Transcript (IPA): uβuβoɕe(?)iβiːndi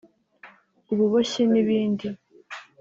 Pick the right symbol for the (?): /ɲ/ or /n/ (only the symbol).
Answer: n